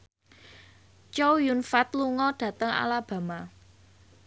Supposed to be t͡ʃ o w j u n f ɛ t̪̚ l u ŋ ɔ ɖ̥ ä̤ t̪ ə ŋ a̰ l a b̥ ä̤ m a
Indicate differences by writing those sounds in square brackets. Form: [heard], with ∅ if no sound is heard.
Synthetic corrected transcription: t͡ʃ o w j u n f [a] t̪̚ l u ŋ ɔ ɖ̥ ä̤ t̪ ə ŋ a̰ l a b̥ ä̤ m a